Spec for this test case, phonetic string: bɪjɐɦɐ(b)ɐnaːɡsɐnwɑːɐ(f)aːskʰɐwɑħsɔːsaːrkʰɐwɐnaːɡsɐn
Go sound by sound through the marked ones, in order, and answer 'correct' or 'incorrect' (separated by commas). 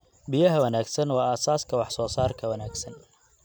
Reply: incorrect, incorrect